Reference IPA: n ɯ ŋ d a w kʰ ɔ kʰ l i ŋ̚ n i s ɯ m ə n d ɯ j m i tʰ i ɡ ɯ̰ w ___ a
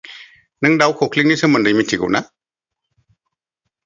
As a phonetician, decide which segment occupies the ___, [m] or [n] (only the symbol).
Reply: n